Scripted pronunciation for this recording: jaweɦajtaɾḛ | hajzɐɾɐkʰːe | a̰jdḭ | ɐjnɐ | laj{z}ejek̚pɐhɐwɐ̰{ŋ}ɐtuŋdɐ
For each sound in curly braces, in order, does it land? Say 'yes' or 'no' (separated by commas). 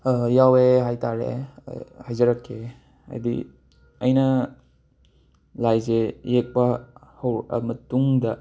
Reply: yes, no